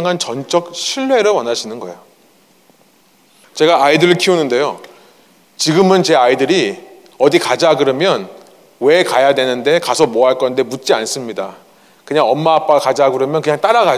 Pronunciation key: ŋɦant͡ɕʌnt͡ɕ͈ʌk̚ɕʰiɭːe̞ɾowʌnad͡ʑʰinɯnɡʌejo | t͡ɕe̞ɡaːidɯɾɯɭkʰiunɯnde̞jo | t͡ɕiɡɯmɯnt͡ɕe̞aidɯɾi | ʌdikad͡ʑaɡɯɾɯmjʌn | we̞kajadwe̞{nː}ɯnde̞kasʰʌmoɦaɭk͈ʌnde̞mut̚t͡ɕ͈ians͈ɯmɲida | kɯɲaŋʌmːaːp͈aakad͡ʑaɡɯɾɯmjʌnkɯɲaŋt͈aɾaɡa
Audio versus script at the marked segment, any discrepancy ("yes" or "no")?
yes